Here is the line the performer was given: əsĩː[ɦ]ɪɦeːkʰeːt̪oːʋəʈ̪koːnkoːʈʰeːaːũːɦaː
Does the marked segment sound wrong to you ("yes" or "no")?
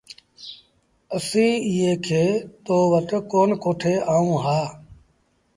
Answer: yes